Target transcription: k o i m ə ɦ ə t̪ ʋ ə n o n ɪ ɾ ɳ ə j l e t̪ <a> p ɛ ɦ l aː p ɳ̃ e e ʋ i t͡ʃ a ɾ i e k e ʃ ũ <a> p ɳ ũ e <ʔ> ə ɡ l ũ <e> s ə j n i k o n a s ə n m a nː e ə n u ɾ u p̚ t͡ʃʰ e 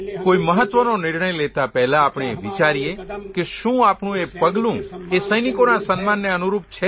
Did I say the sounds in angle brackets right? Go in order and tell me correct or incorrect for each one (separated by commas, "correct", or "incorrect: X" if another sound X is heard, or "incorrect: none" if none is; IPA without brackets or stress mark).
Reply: correct, correct, incorrect: p, correct